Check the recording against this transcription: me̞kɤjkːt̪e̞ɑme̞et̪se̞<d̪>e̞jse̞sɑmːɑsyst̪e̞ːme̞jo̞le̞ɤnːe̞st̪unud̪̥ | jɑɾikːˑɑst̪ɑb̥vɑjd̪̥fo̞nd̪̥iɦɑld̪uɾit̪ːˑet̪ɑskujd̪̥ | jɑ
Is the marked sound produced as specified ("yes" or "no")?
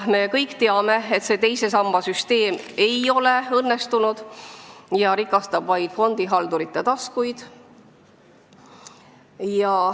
no